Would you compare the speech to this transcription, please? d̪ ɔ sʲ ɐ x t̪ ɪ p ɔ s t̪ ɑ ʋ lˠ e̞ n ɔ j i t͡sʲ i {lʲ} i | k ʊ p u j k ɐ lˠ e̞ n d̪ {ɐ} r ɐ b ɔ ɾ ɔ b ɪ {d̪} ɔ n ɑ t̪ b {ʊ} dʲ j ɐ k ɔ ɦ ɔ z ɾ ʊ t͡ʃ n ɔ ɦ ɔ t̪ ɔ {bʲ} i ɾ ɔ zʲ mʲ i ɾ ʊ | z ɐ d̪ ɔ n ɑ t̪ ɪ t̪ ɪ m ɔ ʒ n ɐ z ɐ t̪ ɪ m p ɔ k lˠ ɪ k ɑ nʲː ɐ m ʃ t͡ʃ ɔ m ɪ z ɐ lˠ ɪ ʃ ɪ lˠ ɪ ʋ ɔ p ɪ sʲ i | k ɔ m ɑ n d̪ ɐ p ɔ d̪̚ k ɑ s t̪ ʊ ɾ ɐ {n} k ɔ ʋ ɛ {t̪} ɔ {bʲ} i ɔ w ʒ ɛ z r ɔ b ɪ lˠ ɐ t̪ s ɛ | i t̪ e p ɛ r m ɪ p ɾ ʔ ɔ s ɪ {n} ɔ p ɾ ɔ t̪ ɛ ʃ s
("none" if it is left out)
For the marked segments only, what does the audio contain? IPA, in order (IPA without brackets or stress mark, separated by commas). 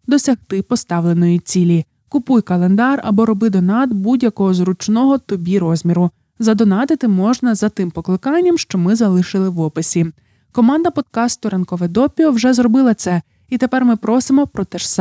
lʲ, ɑ, d̪, u, bʲ, n, d̪, pʲ, m